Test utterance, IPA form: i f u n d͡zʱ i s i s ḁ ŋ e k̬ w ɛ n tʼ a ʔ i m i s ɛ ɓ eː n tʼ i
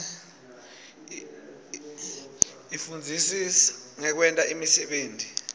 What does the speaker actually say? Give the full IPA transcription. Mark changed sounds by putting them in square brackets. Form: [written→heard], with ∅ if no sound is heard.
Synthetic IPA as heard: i f u n d͡zʱ i s i s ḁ ŋ [e→ɛ] k̬ w ɛ n tʼ a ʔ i m i s ɛ ɓ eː n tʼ i